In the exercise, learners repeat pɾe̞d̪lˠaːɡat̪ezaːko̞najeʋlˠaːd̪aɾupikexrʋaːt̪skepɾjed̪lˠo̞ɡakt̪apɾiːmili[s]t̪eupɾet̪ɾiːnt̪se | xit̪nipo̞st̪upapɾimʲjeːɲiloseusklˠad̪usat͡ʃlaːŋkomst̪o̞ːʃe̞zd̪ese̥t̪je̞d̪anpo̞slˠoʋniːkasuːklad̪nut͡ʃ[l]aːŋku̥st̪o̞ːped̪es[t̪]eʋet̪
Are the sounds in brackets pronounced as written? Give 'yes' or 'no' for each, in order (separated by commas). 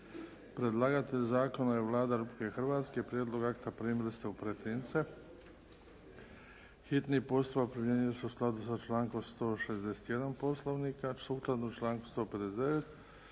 yes, yes, no